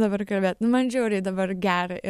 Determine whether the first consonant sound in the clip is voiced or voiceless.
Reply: voiced